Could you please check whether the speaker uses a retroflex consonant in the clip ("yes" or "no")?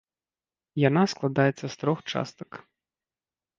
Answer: yes